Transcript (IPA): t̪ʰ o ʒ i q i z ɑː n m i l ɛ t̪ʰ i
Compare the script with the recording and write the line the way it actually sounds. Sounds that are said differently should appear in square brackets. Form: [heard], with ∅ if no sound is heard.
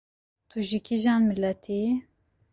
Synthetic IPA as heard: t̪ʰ [u] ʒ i [k] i [ʒ] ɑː n m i l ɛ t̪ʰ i